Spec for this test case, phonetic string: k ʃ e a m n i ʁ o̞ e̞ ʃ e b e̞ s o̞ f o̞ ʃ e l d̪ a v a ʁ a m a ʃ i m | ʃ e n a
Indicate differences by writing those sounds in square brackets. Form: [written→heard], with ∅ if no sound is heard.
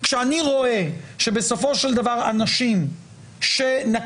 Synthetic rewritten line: k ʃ e a [m→∅] n i ʁ o̞ e̞ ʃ e b e̞ s o̞ f o̞ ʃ e l d̪ a v a ʁ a [m→n] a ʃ i m | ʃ e n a